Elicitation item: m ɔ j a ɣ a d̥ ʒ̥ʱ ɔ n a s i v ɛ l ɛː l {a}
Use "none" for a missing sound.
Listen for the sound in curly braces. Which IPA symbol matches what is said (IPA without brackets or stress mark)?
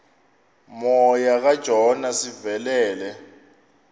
ɛ